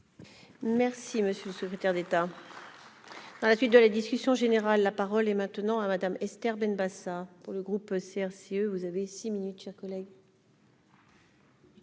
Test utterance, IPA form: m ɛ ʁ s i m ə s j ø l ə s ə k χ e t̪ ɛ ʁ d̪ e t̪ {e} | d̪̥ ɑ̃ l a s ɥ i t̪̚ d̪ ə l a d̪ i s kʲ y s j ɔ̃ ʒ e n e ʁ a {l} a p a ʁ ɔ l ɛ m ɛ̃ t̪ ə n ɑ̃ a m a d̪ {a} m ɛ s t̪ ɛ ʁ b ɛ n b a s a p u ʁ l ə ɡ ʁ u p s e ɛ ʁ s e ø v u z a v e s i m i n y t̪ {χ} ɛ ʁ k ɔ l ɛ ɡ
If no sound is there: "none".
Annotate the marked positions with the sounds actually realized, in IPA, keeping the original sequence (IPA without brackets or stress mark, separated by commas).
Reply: a, lː, a, ʃ